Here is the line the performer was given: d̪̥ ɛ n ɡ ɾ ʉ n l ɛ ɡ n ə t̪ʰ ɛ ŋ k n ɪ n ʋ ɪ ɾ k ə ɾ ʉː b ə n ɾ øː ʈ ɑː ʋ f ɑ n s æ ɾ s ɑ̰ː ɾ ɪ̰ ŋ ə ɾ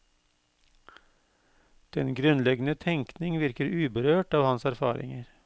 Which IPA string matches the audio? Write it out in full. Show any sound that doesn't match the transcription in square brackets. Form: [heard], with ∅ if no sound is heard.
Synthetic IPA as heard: d̪̥ ɛ n ɡ ɾ ʉ n l ɛ ɡ n ə t̪ʰ ɛ ŋ k n ɪ [ŋ] ʋ ɪ ɾ k ə ɾ ʉː b ə [∅] ɾ øː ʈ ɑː ʋ [h] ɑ n s æ ɾ [f] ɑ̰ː ɾ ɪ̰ ŋ ə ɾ